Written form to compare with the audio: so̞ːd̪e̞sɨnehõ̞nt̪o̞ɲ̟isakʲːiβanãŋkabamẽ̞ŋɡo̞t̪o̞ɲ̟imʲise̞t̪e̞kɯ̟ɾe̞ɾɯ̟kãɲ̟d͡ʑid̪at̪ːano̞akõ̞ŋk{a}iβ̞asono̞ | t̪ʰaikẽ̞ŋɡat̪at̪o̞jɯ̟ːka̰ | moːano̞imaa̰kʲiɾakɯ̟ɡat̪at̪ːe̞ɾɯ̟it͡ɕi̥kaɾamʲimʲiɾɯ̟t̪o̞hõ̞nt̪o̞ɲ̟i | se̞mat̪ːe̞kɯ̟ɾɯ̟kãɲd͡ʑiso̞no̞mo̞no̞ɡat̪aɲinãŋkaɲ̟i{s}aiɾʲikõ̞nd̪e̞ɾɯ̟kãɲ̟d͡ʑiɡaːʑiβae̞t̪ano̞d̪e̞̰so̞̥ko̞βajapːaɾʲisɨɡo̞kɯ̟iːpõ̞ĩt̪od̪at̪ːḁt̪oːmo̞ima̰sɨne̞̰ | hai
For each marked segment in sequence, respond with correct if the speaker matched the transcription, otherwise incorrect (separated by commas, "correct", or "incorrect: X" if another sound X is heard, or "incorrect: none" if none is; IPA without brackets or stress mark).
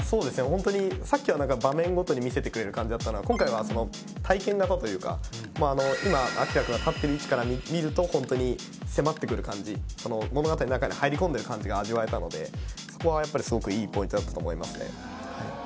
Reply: correct, incorrect: h